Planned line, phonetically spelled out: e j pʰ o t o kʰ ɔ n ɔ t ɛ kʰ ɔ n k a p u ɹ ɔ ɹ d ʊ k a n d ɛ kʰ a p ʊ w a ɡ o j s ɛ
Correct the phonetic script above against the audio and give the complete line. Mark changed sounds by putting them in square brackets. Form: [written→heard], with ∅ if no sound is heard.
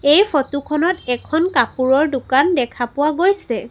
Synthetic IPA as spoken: e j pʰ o t [o→u] kʰ ɔ n ɔ t ɛ kʰ ɔ n k a p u ɹ ɔ ɹ d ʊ k a n d ɛ kʰ a p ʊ w a ɡ o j s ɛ